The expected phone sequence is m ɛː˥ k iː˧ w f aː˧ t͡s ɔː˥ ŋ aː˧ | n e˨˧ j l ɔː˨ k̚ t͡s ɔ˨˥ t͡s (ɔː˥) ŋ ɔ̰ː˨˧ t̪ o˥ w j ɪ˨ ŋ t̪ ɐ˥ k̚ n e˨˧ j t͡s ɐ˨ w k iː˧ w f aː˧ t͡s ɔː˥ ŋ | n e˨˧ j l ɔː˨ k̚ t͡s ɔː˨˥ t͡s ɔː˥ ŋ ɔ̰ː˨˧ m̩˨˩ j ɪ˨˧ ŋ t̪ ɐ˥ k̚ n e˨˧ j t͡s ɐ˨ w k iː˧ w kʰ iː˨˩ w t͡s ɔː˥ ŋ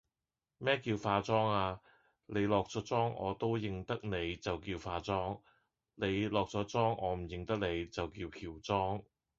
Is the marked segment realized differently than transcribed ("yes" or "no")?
no